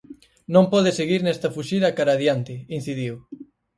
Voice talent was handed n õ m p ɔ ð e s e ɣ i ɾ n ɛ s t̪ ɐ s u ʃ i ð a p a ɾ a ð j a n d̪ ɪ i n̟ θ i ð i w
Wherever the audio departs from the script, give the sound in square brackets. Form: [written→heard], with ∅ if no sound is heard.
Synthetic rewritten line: n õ m p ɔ ð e s e ɣ i ɾ n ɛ s t̪ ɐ [s→f] u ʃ i ð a [p→k] a ɾ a ð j a n [d̪→t̪] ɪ i n̟ θ i ð i w